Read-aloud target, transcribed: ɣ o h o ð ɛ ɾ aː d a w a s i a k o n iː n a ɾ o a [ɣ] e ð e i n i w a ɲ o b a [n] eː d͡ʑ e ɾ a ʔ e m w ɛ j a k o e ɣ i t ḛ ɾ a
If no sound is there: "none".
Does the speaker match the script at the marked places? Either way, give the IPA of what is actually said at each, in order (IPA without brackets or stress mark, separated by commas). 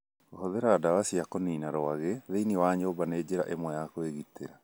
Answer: ɣ, n